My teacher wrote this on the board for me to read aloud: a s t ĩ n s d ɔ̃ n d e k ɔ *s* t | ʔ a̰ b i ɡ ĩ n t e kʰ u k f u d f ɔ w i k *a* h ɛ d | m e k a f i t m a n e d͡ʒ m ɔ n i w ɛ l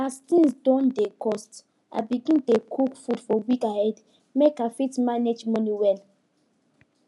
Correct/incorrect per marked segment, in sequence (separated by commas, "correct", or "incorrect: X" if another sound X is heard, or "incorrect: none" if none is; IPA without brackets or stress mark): correct, correct